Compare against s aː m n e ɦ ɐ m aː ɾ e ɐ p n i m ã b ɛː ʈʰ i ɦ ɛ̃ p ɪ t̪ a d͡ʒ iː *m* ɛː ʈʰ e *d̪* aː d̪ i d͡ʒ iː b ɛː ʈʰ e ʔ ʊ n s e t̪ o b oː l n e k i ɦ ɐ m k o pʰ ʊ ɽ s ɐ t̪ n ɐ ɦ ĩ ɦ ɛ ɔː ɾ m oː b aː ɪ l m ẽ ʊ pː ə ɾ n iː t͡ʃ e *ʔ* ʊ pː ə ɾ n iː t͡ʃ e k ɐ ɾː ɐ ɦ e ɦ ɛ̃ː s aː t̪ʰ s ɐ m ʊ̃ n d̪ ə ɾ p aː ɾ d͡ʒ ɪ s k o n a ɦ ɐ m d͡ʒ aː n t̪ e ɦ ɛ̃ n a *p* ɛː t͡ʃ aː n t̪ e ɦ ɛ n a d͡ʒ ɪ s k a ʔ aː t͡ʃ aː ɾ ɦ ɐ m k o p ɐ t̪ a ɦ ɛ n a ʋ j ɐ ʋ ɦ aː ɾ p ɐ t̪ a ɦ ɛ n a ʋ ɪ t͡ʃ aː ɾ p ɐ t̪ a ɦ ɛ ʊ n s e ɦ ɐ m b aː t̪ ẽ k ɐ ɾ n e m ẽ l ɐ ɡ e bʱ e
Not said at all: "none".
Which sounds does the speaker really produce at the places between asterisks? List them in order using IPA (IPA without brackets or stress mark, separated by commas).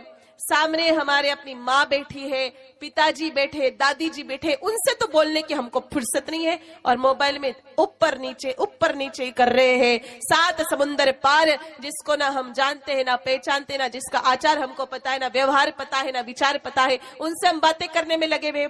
b, d̪, ʔ, p